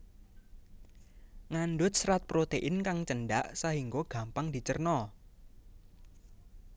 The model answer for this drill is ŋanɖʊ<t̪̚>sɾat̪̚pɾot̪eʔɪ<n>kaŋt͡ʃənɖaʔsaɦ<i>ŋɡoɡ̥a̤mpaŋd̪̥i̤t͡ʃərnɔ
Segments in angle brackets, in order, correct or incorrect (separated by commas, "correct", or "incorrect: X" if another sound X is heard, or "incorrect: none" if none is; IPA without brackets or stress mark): correct, correct, correct